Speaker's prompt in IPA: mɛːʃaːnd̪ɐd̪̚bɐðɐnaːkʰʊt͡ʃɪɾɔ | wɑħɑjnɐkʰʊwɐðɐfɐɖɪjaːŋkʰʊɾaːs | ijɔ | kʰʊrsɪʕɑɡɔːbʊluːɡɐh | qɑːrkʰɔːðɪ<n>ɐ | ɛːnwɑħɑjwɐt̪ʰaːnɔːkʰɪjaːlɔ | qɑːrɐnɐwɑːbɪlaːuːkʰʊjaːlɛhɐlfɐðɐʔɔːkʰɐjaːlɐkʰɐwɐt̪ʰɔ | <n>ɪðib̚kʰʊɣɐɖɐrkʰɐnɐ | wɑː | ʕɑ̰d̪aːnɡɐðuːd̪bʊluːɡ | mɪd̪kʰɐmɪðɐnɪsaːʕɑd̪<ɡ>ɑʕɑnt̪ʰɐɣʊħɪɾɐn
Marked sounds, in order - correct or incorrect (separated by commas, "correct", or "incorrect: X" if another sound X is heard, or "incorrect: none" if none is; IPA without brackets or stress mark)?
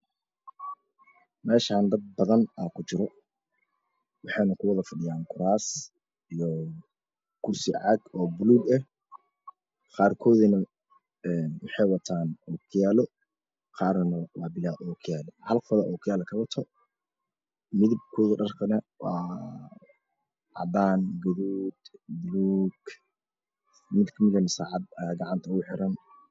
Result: correct, incorrect: m, correct